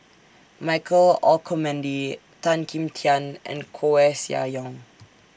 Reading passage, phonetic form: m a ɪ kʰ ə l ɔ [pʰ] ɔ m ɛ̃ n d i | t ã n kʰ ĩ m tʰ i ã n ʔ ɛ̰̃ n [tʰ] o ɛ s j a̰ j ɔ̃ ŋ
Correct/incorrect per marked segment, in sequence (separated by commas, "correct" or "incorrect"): incorrect, incorrect